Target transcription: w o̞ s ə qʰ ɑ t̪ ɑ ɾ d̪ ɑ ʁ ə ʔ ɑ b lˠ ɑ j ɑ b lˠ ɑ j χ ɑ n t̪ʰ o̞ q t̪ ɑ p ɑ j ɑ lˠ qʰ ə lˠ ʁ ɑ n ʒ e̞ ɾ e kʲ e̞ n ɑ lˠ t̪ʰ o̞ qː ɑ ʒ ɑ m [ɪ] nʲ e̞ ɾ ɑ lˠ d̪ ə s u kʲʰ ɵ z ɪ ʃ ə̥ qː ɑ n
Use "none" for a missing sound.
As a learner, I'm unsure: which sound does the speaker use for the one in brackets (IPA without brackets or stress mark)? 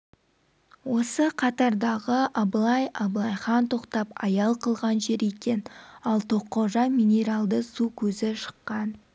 i